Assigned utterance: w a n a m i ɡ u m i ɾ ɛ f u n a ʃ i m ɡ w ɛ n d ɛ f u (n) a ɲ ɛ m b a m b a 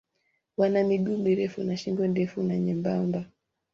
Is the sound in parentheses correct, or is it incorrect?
correct